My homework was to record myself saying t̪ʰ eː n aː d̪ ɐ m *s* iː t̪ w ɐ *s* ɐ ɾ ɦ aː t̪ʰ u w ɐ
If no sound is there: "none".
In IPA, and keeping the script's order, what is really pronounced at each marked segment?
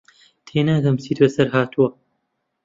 s, s

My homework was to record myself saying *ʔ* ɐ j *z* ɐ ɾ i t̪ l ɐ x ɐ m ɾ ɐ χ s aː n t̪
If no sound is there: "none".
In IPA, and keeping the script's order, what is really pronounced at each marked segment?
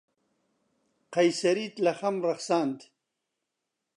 q, s

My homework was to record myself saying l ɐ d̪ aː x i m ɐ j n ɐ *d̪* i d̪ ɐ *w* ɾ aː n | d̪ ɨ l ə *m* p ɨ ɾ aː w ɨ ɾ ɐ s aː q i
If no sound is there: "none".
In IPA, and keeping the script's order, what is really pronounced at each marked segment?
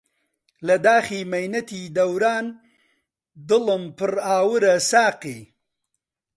t̪, w, m

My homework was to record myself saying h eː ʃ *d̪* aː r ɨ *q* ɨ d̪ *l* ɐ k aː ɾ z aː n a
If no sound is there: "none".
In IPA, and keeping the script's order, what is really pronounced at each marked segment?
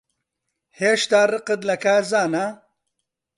t̪, q, l

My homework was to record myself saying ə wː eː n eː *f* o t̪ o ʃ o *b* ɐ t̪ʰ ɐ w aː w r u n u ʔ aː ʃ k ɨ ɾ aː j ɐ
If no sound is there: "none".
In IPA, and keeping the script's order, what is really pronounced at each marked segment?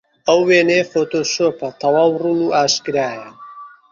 f, p

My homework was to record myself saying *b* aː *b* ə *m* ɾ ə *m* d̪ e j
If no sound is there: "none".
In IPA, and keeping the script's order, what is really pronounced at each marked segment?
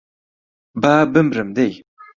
b, b, m, m

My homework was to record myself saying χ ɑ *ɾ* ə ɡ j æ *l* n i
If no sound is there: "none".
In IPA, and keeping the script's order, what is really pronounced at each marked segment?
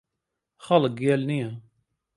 l, l

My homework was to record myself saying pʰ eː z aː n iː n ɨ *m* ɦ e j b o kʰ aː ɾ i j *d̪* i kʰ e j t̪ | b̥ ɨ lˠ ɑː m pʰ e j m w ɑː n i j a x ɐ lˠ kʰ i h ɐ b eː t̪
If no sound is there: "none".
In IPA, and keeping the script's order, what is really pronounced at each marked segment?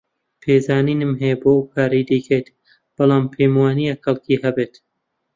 m, d̪

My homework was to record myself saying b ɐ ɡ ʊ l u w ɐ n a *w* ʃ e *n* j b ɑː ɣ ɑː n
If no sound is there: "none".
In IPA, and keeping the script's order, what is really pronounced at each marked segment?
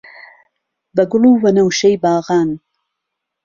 w, none

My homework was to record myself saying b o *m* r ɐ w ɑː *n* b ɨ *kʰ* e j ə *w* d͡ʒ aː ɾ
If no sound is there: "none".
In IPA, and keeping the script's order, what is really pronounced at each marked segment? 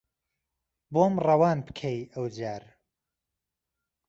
m, n, kʰ, w

